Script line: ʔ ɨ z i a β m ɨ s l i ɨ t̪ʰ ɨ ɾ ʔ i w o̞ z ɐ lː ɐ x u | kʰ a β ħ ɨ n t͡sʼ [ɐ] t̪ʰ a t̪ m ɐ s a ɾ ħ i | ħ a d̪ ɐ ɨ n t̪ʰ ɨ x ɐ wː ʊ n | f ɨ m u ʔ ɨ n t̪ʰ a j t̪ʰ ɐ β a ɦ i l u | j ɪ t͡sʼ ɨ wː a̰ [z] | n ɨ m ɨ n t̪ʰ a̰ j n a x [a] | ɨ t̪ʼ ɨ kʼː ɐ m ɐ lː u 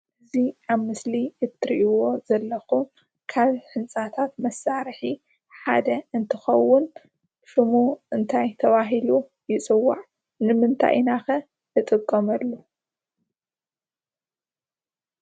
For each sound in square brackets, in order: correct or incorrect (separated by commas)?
incorrect, incorrect, incorrect